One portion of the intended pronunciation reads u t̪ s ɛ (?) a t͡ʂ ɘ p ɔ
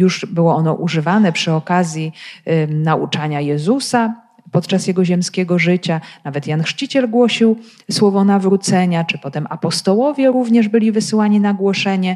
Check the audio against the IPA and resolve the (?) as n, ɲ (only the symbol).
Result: ɲ